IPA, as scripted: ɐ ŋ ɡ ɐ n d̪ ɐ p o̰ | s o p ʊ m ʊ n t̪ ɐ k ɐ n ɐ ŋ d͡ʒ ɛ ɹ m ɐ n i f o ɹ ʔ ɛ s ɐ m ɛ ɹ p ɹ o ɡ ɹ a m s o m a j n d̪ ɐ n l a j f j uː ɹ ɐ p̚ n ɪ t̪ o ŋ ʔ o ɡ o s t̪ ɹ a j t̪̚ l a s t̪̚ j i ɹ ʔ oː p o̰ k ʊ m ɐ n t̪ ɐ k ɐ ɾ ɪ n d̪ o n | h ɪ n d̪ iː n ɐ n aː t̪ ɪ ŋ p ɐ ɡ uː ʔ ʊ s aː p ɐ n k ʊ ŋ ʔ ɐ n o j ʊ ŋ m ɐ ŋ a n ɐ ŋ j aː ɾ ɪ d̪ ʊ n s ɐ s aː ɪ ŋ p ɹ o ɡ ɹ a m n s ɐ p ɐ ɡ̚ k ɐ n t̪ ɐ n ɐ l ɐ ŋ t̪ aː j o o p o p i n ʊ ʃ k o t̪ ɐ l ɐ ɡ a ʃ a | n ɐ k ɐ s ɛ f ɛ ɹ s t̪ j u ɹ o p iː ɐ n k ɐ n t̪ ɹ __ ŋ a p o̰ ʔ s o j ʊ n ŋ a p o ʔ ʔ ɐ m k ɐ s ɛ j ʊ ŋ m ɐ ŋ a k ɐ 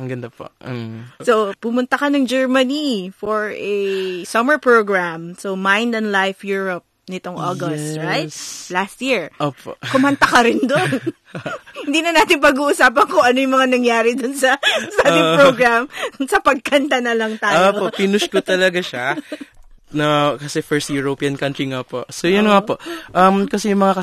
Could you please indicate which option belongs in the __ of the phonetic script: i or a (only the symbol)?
i